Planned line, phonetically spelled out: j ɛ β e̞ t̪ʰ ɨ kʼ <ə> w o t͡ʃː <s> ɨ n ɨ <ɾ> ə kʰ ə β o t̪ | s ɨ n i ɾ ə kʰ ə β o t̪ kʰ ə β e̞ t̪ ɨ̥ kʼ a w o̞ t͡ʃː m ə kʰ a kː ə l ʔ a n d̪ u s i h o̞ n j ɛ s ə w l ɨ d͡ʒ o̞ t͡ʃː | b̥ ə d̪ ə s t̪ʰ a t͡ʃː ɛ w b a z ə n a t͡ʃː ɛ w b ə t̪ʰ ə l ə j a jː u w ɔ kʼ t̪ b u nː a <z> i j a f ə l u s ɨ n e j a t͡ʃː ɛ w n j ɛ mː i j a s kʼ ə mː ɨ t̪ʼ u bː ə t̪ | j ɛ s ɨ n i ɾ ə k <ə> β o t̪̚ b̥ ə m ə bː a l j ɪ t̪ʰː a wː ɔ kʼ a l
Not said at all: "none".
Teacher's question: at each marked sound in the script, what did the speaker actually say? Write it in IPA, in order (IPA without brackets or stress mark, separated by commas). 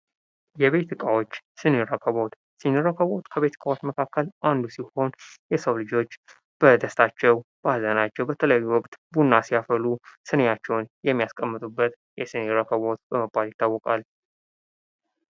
a, s, ɾ, s, ə